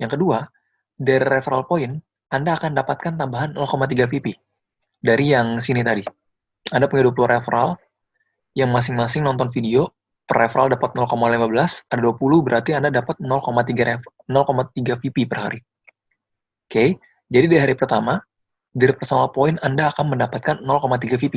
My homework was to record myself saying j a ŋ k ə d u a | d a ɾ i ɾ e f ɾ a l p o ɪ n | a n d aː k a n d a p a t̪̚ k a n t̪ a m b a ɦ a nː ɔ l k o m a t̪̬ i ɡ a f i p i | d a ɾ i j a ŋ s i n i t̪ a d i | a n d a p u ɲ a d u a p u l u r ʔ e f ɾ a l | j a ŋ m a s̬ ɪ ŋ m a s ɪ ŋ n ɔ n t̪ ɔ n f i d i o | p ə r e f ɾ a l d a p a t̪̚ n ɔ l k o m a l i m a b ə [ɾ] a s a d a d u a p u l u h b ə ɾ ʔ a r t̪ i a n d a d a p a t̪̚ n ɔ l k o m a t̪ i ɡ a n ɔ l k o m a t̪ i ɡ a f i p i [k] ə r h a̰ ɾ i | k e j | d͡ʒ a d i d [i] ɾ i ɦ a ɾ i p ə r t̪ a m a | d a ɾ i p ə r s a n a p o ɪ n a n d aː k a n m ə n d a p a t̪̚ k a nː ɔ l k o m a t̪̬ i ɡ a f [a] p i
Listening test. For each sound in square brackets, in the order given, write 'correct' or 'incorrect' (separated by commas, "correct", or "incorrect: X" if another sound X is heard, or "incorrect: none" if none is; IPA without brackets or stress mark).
incorrect: l, incorrect: p, incorrect: a, incorrect: i